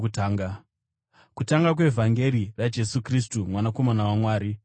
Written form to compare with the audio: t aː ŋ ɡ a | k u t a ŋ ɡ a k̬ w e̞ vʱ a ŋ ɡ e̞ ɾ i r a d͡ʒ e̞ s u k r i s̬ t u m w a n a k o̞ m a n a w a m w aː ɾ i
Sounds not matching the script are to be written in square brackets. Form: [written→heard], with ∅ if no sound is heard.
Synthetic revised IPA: t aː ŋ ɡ a | k u t a ŋ ɡ a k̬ w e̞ vʱ a ŋ ɡ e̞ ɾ i r a d͡ʒ e̞ s u k r i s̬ t u m w a n a k o̞ m a n a w a m w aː ɾ i